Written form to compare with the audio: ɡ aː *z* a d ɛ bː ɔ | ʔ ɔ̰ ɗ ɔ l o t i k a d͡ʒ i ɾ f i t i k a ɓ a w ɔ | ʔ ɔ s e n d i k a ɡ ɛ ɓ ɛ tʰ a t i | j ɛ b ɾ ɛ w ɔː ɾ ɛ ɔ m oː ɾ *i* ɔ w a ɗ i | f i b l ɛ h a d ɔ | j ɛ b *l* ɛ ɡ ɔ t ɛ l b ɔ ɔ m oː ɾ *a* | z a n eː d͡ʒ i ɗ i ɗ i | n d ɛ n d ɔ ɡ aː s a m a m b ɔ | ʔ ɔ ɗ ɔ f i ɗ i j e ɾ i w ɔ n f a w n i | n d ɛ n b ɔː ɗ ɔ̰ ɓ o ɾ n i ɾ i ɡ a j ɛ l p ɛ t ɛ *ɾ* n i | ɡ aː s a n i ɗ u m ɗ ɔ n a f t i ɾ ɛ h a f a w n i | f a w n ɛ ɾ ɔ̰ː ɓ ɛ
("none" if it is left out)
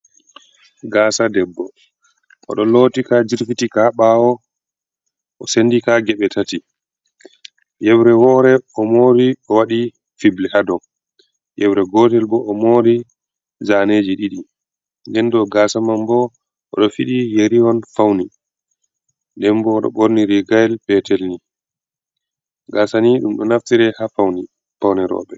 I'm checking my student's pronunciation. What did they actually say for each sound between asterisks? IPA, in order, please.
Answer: s, i, ɾ, i, l

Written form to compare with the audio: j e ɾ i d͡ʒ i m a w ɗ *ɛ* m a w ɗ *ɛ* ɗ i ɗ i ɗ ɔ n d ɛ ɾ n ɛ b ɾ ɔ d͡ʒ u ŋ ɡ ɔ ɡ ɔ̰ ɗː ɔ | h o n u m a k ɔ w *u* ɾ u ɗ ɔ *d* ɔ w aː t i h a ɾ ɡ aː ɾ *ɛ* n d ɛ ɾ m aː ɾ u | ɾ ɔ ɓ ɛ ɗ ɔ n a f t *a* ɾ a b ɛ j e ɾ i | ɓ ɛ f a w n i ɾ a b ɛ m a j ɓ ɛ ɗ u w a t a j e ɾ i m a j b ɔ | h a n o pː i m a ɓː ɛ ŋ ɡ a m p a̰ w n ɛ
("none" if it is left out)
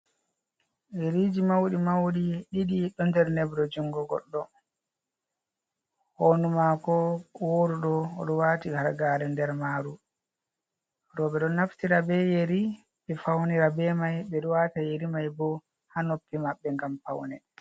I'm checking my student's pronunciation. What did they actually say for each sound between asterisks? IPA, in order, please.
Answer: i, i, o, ɗ, ɛ, i

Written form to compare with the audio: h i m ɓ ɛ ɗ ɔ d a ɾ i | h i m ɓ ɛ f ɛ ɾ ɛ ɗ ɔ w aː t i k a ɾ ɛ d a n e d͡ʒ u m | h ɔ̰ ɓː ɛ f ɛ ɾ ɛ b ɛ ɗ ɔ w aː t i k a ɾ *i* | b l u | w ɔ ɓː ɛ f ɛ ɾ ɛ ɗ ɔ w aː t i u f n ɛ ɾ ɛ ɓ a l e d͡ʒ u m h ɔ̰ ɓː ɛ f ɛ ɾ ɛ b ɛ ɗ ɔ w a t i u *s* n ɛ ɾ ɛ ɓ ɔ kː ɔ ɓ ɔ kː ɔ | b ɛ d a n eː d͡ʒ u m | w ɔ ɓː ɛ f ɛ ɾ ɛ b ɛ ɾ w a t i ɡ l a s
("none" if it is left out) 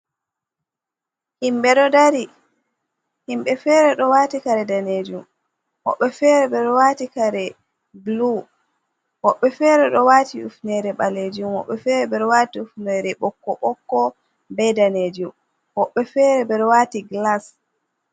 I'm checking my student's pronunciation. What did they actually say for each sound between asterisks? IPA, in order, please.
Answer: ɛ, f

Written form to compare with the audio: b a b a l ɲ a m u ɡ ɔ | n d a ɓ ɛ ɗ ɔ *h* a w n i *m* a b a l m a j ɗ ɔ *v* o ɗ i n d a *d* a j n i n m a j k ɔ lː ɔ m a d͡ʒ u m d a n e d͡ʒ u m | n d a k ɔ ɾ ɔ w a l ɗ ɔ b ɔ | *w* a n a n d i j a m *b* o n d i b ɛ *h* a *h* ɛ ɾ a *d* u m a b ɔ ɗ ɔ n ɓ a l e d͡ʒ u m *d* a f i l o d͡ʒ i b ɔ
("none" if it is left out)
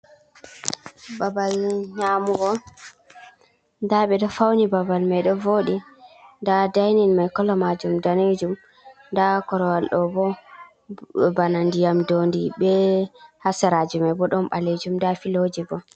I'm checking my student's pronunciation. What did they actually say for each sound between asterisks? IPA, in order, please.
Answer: f, b, v, d, b, d, h, s, d͡ʒ, d

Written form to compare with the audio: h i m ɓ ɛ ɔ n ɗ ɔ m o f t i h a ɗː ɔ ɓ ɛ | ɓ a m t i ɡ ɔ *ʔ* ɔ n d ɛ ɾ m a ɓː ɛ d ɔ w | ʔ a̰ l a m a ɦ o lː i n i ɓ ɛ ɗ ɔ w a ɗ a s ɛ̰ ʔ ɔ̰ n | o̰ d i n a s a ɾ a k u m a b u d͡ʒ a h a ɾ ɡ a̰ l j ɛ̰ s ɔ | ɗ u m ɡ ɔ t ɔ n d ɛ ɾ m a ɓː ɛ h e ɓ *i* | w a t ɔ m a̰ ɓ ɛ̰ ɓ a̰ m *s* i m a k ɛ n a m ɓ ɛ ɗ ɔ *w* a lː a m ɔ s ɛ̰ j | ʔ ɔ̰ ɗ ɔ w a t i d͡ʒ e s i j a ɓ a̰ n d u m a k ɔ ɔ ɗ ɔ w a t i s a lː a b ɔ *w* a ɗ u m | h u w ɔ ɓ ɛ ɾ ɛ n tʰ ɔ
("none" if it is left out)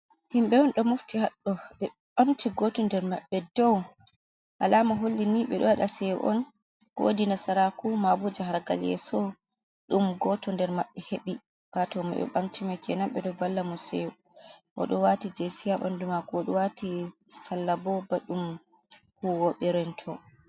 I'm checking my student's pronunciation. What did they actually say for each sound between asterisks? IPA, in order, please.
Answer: t, i, t, v, b

